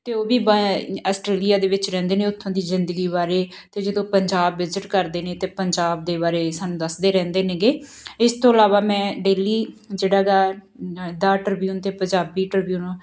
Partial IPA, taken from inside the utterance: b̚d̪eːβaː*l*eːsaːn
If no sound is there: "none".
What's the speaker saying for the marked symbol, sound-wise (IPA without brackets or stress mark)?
ɾ